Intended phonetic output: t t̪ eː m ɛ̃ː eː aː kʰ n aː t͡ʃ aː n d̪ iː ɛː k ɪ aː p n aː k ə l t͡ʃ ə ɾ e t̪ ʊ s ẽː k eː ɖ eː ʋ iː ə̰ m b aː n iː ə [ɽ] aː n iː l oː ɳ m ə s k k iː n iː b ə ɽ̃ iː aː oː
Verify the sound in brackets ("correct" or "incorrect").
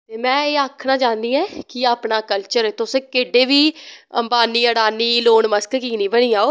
correct